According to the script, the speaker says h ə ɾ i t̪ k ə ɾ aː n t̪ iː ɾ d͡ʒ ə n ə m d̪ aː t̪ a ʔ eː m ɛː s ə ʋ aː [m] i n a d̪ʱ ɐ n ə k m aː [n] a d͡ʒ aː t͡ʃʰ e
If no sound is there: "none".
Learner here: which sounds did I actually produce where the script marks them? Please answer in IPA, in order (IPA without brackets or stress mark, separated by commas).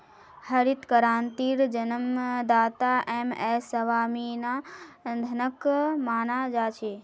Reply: m, n